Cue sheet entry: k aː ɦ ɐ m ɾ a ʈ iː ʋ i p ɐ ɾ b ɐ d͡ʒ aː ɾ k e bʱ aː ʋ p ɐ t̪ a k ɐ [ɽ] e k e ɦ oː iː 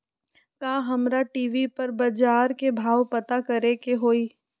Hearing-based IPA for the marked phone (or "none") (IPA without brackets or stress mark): ɾ